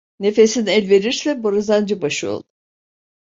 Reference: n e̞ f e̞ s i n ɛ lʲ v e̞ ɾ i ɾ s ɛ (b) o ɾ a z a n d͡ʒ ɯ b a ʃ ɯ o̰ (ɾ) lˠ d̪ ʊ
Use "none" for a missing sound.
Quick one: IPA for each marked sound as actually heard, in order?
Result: b, none

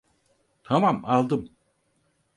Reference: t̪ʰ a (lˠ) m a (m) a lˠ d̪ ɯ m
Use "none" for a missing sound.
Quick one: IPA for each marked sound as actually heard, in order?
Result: none, m

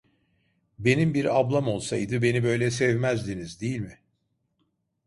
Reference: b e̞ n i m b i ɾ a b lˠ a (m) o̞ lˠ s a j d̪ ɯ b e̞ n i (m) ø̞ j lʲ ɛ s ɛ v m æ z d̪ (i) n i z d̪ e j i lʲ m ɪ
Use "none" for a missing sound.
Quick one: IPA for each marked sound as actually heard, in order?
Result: m, b, i

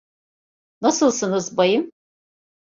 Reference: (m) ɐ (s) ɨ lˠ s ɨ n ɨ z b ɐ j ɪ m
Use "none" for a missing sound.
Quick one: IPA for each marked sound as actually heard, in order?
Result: n, s

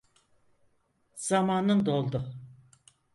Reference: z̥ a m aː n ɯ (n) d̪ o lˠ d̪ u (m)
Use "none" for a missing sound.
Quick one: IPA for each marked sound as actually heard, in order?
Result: n, none

